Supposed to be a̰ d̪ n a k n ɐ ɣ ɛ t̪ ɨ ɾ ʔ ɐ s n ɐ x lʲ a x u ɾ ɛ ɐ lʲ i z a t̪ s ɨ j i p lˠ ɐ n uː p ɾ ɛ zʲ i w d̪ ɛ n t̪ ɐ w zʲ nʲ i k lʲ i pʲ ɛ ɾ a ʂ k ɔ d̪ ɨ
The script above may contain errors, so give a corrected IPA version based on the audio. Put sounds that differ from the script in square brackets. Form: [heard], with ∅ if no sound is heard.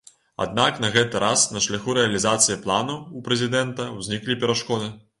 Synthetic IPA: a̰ d̪ n a k n ɐ ɣ ɛ t̪ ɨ ɾ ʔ [a] s n ɐ [ʂ] lʲ a x u ɾ ɛ ɐ lʲ i z a t̪ s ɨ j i p lˠ [a] n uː p ɾ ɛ zʲ i [∅] d̪ ɛ n t̪ ɐ w zʲ nʲ i k lʲ i pʲ ɛ ɾ a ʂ k ɔ d̪ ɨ